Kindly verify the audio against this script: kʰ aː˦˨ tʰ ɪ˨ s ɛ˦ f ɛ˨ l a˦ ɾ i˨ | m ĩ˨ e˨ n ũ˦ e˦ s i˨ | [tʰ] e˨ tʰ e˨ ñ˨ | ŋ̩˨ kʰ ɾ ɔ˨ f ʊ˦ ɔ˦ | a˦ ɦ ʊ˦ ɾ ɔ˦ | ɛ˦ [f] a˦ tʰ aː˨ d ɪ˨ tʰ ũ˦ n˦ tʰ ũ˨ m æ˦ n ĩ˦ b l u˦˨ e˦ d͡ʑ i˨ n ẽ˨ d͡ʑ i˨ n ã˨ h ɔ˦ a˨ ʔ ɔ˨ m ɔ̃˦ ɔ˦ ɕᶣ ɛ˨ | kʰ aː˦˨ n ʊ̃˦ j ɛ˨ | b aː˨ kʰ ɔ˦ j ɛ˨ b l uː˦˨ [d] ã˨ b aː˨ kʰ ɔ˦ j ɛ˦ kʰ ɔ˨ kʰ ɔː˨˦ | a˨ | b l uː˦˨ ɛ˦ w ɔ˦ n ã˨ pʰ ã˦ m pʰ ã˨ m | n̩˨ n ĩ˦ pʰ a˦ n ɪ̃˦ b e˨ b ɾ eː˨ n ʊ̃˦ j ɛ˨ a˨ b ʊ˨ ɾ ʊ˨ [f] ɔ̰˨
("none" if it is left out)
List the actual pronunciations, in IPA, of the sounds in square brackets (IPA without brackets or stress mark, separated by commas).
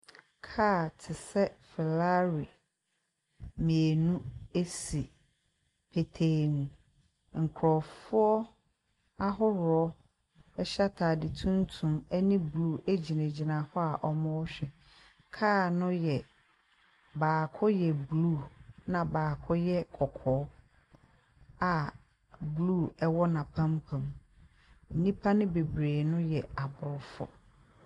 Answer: pʰ, ɕ, n, f